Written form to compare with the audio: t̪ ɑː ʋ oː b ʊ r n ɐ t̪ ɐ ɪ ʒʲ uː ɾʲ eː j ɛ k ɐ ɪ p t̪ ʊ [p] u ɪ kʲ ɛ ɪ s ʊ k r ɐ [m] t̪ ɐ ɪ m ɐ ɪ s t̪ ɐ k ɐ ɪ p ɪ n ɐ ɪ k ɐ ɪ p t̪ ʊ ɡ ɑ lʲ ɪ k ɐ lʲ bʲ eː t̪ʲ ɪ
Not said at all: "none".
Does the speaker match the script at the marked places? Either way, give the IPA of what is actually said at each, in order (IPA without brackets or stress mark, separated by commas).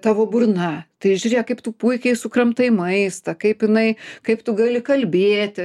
p, m